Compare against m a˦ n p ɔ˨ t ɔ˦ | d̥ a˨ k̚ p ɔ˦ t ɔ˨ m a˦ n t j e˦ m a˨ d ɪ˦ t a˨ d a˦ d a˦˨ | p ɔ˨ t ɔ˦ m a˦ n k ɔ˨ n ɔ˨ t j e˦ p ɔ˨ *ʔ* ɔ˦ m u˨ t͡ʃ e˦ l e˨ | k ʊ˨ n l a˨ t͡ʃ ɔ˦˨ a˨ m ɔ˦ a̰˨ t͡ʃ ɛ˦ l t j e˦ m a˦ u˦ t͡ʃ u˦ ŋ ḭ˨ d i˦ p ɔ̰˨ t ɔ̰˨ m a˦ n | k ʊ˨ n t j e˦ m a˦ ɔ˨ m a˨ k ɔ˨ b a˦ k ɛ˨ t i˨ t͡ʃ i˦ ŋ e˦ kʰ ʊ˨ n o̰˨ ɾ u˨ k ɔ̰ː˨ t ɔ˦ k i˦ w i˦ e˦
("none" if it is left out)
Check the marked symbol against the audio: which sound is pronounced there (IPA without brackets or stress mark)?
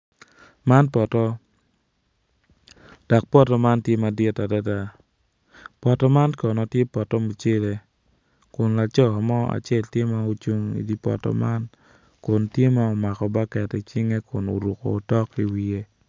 t